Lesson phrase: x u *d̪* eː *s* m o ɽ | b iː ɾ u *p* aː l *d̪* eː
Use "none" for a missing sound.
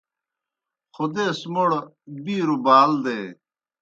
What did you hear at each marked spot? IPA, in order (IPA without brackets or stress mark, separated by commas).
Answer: d̪, s, b, d̪